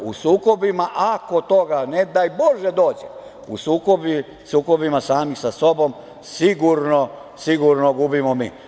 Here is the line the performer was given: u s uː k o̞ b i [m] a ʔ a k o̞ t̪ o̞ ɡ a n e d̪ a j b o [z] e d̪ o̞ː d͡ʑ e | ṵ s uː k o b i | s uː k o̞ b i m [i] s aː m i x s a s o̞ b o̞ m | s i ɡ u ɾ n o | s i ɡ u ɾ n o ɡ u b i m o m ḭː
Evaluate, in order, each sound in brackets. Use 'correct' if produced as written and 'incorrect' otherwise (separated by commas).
correct, incorrect, incorrect